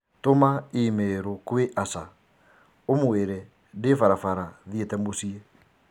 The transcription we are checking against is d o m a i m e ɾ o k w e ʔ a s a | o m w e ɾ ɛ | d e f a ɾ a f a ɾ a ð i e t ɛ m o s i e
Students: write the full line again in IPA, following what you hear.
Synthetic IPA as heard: t o m a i m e ɾ o k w e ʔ a s a | o m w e ɾ ɛ | d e f a ɾ a f a ɾ a ð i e t ɛ m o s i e